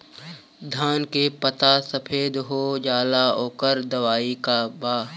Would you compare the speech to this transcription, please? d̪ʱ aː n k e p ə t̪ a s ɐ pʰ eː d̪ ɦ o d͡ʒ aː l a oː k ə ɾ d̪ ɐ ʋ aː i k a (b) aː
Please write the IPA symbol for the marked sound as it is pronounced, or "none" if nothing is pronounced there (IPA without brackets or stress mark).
b